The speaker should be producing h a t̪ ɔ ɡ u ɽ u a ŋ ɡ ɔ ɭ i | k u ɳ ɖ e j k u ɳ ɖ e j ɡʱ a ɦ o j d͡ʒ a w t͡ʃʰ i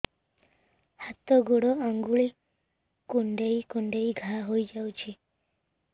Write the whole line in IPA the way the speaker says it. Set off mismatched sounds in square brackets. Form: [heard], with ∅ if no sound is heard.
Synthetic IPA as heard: h a t̪ ɔ ɡ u ɽ [ɔ] a ŋ ɡ [u] ɭ i | k u ɳ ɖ e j k u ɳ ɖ e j ɡʱ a ɦ o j d͡ʒ a w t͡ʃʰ i